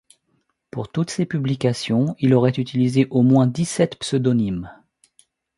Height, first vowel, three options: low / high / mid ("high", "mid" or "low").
high